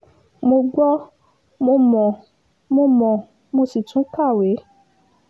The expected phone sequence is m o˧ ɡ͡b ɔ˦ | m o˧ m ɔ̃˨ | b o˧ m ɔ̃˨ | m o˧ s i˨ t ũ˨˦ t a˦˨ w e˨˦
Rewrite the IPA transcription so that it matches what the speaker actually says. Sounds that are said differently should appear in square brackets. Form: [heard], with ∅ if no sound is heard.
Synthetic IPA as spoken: m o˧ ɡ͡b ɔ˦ | m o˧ m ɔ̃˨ | [m] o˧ m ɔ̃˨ | m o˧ s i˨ t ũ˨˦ [k] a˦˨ w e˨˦